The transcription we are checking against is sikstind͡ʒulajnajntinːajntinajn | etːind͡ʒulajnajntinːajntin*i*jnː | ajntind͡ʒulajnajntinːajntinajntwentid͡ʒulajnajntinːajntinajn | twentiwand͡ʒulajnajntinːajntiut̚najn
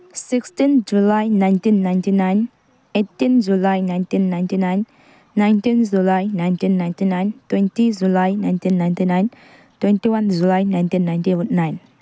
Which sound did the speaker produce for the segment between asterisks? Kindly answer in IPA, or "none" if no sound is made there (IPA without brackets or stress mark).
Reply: a